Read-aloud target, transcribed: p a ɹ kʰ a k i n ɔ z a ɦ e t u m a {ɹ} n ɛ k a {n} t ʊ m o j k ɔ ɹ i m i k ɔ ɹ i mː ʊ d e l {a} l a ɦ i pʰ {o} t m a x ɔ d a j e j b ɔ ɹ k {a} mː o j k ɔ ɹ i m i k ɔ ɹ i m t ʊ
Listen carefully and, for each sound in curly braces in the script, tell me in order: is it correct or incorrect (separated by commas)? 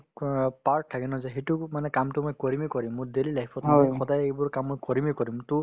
incorrect, incorrect, incorrect, incorrect, correct